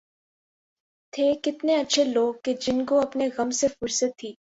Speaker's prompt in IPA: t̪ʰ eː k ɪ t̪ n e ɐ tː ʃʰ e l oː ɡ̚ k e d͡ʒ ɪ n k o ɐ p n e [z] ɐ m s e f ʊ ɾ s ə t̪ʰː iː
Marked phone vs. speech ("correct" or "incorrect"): incorrect